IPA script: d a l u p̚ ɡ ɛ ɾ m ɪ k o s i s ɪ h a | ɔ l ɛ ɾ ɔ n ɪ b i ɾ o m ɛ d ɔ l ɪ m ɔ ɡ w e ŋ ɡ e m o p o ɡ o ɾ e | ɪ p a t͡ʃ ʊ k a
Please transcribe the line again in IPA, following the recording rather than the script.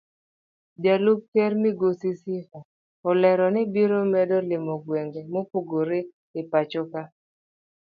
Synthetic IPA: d a l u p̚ k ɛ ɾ m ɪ ɡ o s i s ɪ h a | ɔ l ɛ ɾ ɔ n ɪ b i ɾ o m ɛ d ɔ l ɪ m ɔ ɡ w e ŋ ɡ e m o p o ɡ o ɾ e | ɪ p a t͡ʃ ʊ k a